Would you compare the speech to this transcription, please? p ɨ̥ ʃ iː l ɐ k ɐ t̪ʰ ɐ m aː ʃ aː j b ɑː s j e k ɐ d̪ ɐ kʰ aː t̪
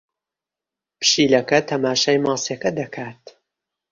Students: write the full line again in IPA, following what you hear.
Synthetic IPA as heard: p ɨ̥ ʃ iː l ɐ k ɐ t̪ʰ ɐ m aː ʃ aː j m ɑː s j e k ɐ d̪ ɐ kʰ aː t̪